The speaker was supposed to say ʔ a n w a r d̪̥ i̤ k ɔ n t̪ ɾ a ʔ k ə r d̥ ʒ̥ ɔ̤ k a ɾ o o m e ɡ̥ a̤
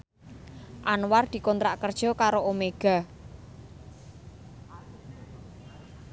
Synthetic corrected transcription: ʔ a n w a r d̪̥ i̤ k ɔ n t̪ ɾ a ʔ k ə r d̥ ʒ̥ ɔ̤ k a ɾ o o m e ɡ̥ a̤